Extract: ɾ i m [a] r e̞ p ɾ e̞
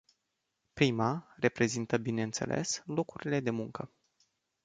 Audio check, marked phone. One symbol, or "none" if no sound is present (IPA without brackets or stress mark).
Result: a